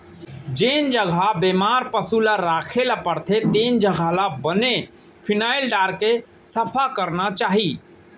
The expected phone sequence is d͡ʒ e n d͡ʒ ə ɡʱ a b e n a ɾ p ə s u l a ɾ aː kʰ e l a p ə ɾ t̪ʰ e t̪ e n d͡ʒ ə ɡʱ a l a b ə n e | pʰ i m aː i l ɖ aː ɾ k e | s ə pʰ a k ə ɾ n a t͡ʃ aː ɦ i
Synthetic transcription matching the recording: d͡ʒ e n d͡ʒ ə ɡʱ a b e m a ɾ p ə s u l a ɾ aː kʰ e l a p ə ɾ t̪ʰ e t̪ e n d͡ʒ ə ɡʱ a l a b ə n e | pʰ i n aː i l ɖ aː ɾ k e | s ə pʰ a k ə ɾ n a t͡ʃ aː ɦ i